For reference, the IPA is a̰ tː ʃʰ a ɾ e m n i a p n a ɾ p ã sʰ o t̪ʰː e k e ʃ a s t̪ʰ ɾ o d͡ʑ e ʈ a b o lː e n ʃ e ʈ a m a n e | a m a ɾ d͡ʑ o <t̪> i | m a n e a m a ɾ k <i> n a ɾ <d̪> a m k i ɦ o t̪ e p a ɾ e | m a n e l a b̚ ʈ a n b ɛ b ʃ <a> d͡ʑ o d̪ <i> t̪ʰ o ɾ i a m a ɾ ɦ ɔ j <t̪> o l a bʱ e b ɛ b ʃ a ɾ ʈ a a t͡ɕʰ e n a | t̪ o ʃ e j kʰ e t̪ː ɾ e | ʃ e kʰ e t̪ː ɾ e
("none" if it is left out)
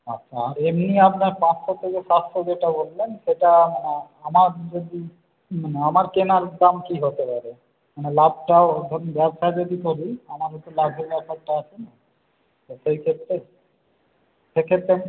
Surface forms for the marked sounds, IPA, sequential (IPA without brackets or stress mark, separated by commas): d̪, e, d̪, a, i, t̪